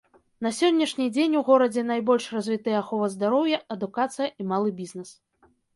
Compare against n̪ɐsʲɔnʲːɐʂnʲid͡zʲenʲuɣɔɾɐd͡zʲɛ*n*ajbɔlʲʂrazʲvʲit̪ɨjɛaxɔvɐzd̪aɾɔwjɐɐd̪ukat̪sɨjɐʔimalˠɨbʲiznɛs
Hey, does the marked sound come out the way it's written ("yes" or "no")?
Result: yes